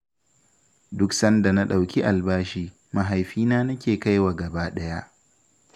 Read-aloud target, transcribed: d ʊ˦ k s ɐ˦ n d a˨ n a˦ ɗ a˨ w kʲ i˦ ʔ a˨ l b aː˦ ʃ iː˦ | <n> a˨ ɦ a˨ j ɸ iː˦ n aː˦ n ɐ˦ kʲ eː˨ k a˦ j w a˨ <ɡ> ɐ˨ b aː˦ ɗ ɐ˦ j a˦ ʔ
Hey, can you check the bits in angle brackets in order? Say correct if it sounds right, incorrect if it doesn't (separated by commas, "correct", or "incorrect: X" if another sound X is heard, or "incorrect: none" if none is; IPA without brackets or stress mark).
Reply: incorrect: m, correct